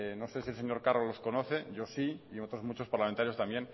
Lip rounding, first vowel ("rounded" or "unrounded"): rounded